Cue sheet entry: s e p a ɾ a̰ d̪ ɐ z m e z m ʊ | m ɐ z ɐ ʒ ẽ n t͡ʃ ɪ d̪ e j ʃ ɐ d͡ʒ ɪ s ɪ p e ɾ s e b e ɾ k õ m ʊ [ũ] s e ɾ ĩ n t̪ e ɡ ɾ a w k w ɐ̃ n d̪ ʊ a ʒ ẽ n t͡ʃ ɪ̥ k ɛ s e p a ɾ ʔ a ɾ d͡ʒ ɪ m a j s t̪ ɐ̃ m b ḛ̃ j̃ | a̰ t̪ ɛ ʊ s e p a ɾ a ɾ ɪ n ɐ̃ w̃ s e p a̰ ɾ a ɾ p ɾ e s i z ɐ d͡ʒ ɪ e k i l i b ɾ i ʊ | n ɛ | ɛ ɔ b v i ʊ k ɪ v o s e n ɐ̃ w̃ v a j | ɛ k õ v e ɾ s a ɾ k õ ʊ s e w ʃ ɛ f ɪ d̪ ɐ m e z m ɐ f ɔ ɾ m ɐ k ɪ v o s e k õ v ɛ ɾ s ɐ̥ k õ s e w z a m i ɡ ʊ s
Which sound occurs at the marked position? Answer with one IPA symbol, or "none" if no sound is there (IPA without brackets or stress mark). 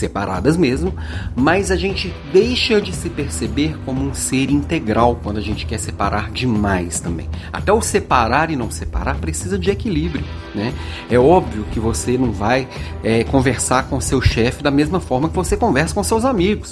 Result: ũ